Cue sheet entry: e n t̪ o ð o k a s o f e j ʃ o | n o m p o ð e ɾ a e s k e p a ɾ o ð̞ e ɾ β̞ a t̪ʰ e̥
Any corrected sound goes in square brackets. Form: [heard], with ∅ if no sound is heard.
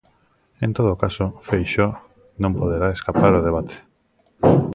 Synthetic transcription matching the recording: e n t̪ o ð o k a s o f e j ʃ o | n [õ] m p o ð e ɾ a e s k [a] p a ɾ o ð̞ e [∅] β̞ a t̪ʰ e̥